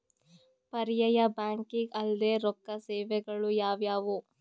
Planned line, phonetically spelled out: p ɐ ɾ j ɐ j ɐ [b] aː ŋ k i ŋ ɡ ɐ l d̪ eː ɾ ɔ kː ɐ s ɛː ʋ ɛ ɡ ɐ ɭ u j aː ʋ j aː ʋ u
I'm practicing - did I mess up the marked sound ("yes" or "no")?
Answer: no